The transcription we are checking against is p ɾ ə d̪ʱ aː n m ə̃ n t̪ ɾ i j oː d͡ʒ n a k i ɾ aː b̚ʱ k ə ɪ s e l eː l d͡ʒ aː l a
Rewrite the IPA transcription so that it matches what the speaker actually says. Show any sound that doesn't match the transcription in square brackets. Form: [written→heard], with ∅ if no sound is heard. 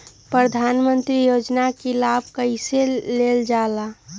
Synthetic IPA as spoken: p ɾ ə d̪ʱ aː n m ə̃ n t̪ ɾ i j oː d͡ʒ n a k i [ɾ→l] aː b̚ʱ k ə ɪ s e l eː l d͡ʒ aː l a